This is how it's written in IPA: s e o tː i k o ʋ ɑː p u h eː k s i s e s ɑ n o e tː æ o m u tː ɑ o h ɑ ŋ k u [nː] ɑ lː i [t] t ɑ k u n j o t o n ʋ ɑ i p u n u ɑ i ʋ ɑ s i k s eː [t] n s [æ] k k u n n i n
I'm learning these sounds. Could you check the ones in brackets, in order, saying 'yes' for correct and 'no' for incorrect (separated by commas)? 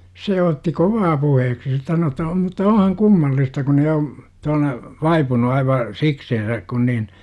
no, no, no, yes